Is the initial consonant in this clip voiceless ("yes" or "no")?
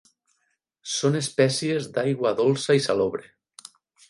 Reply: yes